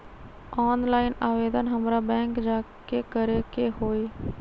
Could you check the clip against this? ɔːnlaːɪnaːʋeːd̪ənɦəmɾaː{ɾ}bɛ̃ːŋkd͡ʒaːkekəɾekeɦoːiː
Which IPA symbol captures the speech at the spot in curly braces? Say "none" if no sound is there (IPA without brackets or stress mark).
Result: none